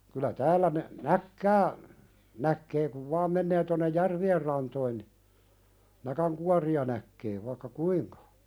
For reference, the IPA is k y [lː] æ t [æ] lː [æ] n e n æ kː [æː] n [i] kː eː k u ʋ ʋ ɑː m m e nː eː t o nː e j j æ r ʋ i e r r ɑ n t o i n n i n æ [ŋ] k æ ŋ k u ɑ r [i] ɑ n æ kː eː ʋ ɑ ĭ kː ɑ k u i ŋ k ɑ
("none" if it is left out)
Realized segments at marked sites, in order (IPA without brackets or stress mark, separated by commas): l, æː, æ, æː, æ, none, i